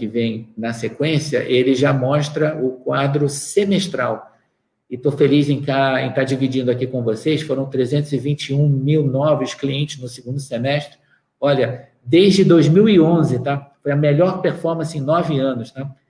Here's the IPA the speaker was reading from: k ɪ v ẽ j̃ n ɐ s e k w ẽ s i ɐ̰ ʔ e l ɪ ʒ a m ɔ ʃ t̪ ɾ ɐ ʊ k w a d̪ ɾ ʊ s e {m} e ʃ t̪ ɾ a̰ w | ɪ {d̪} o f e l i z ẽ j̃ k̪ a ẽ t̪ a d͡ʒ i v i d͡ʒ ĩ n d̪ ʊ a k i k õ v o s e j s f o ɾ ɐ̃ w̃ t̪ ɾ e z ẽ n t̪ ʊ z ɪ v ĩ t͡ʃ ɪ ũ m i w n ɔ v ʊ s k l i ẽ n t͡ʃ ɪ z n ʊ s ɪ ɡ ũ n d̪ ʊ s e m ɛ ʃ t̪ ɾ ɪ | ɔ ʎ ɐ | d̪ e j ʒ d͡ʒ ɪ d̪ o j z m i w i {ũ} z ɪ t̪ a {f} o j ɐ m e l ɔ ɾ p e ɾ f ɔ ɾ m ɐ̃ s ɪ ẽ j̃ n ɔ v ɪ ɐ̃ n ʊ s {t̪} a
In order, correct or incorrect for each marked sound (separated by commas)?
correct, incorrect, incorrect, correct, correct